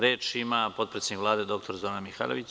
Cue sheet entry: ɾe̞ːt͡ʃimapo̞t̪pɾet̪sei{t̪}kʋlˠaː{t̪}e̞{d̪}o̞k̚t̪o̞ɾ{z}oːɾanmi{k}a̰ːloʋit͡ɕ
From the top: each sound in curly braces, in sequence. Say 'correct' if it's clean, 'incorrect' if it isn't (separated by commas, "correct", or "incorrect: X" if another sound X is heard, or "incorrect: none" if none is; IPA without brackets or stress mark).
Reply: incorrect: none, incorrect: d̪, correct, correct, incorrect: x